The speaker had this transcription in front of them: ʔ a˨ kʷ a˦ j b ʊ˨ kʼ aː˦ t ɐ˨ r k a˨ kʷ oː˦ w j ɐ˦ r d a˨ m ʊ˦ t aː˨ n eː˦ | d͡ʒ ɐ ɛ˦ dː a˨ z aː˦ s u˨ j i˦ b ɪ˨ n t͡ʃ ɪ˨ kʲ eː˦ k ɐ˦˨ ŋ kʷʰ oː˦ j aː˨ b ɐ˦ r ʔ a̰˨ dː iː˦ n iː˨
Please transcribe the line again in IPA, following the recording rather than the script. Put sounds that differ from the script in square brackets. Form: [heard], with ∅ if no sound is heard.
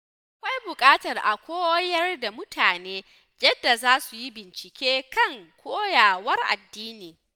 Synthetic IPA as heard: ʔ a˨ kʷ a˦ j b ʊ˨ kʼ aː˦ t ɐ˨ r [ʔ] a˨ kʷ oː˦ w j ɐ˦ r d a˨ m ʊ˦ t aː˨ n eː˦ | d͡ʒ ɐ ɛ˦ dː a˨ z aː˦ s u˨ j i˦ b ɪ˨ n t͡ʃ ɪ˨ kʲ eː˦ k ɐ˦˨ ŋ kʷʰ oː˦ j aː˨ [w] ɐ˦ r ʔ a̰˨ dː iː˦ n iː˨

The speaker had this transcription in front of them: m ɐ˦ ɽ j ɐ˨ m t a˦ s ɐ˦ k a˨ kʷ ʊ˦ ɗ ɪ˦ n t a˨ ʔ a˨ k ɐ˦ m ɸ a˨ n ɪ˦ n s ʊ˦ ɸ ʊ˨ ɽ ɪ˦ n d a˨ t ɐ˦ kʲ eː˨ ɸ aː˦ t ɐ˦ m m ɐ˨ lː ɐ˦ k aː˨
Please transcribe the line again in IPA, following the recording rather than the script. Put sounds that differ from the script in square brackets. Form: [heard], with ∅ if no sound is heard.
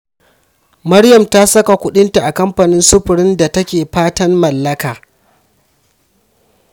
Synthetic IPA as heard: m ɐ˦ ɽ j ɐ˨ m t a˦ s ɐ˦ k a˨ kʷ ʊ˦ ɗ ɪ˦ n t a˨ ʔ a˨ k ɐ˦ m ɸ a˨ n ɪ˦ n s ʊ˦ ɸ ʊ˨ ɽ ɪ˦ n d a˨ t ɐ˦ kʲ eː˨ ɸ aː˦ t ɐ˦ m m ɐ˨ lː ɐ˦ k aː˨

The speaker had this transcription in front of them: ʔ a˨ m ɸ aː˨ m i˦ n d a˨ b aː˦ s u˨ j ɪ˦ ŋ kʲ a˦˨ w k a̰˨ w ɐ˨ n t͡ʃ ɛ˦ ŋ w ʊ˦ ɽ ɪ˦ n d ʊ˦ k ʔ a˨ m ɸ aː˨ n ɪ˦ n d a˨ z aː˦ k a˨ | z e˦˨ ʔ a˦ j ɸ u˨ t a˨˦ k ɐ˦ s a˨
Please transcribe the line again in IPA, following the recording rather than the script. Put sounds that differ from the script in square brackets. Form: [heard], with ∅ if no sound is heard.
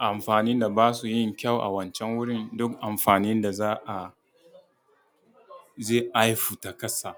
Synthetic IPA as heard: ʔ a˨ m ɸ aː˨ [n] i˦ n d a˨ b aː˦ s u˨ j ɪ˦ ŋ kʲ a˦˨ w [ʔ] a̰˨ w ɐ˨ n t͡ʃ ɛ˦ ŋ w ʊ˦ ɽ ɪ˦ n d ʊ˦ k ʔ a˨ m ɸ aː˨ n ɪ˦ n d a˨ z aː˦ [ʔ] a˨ | z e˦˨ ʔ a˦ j ɸ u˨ t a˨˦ k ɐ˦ s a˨

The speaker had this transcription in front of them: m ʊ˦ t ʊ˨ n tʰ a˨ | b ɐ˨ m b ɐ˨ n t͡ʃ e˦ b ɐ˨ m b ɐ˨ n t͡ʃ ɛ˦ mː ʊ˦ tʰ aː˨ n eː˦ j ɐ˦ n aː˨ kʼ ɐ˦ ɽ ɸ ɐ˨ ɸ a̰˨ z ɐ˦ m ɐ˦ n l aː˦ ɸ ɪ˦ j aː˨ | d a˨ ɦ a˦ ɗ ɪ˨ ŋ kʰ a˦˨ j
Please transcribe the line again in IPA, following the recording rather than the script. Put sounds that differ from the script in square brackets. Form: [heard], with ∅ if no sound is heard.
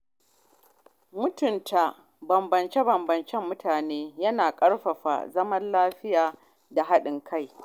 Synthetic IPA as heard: m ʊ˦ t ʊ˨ n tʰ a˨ | b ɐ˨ m b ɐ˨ n t͡ʃ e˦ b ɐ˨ m b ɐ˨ n t͡ʃ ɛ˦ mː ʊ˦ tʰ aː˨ n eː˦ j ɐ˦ n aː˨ kʼ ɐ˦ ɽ ɸ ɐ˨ ɸ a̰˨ z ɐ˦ m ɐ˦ n l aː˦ ɸ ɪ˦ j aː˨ | d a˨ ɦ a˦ ɗ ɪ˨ ŋ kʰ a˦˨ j

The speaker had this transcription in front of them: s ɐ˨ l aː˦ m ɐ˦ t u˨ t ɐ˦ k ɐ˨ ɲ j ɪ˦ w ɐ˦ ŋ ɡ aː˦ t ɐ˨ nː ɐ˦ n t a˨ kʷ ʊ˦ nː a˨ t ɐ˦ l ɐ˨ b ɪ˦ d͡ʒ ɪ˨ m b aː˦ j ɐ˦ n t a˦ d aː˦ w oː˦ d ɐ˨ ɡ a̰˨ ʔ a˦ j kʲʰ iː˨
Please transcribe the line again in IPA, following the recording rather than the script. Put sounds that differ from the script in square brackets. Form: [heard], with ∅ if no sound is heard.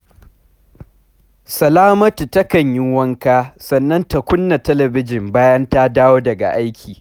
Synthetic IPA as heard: s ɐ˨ l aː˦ m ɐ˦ t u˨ t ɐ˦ k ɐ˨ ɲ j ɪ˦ w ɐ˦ ŋ [k] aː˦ [s] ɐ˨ nː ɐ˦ n t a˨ kʷ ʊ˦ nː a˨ t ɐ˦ l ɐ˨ b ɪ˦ d͡ʒ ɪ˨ m b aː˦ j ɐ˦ n t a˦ d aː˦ w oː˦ d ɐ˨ ɡ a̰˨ ʔ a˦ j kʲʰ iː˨

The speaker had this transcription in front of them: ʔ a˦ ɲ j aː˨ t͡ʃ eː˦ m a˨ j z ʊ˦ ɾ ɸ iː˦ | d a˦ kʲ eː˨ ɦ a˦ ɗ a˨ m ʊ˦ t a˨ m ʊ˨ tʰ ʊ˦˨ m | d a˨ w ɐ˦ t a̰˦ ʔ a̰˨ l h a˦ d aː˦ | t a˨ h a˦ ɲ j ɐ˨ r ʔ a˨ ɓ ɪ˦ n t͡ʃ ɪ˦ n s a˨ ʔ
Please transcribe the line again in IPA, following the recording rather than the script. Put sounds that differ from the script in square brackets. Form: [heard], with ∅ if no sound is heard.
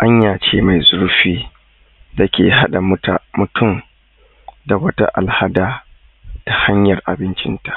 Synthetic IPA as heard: ʔ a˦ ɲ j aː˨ t͡ʃ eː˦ m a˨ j z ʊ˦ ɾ ɸ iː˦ | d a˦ kʲ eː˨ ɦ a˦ ɗ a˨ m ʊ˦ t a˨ m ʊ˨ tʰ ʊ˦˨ m | d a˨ w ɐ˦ t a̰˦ ʔ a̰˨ l h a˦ d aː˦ | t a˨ h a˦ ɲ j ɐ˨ r ʔ a˨ [b] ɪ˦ n t͡ʃ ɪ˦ n [t] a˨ ʔ

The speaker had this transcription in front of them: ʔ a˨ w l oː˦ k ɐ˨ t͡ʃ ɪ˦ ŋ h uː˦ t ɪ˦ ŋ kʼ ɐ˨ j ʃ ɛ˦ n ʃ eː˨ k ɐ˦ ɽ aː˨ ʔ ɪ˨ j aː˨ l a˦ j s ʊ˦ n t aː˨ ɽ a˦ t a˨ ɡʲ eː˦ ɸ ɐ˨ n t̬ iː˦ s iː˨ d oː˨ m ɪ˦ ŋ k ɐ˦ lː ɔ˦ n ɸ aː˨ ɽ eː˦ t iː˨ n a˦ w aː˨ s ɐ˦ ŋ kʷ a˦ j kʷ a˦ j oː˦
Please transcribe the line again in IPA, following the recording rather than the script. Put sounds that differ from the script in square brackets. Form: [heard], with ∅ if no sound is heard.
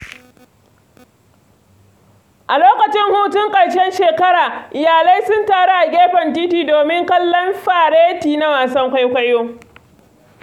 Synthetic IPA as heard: ʔ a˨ [∅] l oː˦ k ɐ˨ t͡ʃ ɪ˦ ŋ h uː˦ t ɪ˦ ŋ kʼ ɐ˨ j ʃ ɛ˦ n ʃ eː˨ k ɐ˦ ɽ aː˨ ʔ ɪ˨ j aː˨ l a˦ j s ʊ˦ n t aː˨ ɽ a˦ [ʔ] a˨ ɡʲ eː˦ ɸ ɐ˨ n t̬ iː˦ [t] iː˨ d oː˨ m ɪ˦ ŋ k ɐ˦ lː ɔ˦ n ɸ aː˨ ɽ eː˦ t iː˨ n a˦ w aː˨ s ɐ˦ ŋ kʷ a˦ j kʷ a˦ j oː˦

